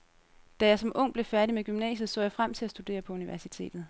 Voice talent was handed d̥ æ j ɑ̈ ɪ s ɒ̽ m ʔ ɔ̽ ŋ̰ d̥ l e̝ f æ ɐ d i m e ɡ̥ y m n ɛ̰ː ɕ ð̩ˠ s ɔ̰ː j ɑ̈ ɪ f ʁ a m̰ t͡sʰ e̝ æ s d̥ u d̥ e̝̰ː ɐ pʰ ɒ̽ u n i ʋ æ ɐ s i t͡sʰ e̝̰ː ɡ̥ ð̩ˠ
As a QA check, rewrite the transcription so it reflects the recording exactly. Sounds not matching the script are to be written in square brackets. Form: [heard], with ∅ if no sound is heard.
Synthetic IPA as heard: d̥ æ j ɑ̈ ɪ s ɒ̽ m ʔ ɔ̽ ŋ̰ [b̥] l e̝ f æ ɐ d i m e ɡ̥ y m n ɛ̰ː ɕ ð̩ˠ s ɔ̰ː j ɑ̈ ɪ f ʁ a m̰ t͡sʰ e̝ æ s d̥ u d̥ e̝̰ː ɐ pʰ ɒ̽ u n i ʋ æ ɐ s i t͡sʰ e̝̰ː [d̥] ð̩ˠ

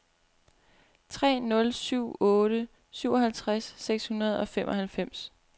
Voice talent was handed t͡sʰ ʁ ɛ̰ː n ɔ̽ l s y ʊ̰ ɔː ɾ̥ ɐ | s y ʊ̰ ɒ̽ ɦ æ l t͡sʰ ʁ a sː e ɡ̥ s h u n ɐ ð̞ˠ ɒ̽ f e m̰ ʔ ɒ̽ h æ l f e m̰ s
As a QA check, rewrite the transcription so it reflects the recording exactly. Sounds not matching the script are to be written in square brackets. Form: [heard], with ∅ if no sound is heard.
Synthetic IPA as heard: t͡sʰ ʁ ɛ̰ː n ɔ̽ l s y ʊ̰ ɔː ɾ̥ [ə] | s y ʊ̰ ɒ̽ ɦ æ l t͡sʰ ʁ a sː e ɡ̥ s h u n ɐ ð̞ˠ ɒ̽ f e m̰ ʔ ɒ̽ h æ l f e m̰ s

